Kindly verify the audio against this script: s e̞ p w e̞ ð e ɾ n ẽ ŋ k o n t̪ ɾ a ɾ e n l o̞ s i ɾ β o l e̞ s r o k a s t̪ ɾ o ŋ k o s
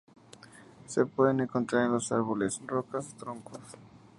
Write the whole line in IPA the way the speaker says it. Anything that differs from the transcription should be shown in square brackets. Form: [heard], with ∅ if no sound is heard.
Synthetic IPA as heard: s e̞ p w e̞ ð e [∅] n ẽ ŋ k o n t̪ ɾ a ɾ e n l o̞ s [a] ɾ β o l e̞ s r o k a s t̪ ɾ o ŋ k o s